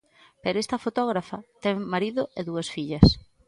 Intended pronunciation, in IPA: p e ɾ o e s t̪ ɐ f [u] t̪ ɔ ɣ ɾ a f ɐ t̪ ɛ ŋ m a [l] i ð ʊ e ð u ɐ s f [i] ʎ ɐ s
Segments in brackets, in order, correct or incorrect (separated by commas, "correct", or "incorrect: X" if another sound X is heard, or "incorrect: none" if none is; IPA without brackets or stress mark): incorrect: o, incorrect: ɾ, correct